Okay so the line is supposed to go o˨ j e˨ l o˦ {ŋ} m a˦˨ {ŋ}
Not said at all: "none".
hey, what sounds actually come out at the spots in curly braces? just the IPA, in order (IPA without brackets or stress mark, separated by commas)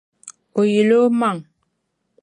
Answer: none, ŋ